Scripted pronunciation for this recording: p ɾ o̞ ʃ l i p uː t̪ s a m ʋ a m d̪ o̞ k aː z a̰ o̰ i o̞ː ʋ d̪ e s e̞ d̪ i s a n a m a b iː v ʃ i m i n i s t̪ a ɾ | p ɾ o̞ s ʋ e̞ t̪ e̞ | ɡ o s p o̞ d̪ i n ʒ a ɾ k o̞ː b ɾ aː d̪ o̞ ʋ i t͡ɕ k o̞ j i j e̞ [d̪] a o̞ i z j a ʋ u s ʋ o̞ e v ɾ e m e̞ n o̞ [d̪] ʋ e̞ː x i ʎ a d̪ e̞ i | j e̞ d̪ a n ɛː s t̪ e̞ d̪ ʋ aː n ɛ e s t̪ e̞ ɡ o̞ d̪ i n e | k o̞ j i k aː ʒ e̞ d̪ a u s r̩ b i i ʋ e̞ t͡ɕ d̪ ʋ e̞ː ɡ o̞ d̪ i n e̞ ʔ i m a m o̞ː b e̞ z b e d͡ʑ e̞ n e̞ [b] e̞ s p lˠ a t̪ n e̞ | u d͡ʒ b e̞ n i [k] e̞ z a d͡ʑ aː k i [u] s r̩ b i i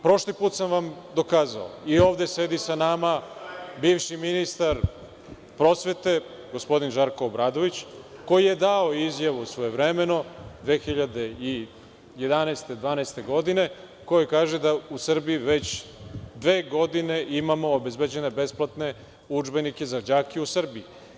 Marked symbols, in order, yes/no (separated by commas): yes, yes, yes, yes, yes